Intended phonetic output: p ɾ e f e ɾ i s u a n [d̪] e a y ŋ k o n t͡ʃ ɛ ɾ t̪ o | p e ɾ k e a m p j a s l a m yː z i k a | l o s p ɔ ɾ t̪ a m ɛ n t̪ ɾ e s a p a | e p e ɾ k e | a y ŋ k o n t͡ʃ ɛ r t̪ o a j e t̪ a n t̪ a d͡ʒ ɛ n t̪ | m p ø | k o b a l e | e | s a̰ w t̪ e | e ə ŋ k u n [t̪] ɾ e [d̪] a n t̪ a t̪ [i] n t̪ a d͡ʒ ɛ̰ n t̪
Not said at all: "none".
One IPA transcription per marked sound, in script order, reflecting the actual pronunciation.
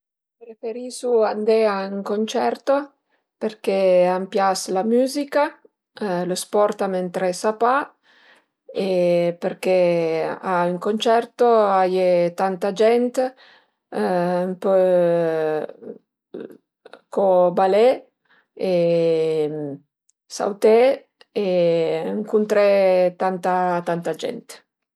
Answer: d̪, t̪, t̪, a

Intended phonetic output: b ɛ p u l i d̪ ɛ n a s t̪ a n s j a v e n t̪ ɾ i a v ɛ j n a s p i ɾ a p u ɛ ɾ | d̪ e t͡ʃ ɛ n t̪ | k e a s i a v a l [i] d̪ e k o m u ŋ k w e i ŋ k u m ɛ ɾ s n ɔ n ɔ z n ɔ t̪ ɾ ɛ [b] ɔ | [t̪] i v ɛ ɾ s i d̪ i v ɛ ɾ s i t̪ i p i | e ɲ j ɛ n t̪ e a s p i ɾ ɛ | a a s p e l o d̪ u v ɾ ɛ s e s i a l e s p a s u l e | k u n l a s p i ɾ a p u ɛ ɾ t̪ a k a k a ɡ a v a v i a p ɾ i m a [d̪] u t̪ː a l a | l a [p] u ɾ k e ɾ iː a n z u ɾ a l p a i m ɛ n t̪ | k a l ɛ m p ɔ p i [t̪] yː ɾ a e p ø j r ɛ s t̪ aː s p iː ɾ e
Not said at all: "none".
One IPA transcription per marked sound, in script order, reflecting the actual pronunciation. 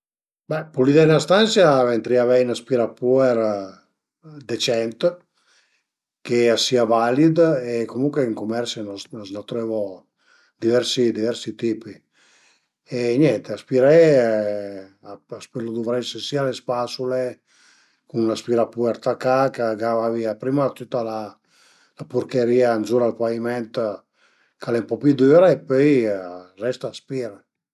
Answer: i, v, d̪, t̪, p, d̪

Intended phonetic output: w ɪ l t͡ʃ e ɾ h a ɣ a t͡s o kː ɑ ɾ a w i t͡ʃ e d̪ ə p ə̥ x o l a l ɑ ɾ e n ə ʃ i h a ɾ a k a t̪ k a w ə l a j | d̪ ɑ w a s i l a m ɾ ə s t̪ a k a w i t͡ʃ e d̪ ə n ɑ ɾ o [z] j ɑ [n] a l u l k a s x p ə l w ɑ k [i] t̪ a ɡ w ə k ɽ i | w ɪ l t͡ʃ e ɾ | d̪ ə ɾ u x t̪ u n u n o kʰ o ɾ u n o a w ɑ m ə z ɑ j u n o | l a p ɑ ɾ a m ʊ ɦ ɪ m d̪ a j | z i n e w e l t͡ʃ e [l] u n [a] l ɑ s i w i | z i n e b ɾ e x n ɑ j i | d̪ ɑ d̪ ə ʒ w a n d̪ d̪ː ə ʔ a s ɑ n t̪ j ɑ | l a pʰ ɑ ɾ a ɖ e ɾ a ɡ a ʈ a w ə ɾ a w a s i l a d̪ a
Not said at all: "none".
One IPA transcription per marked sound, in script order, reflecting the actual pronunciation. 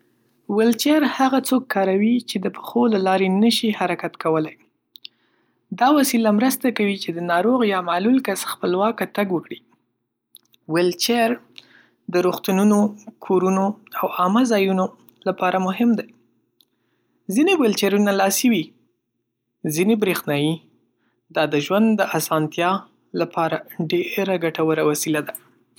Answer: ɣ, m, a, ɾ, a

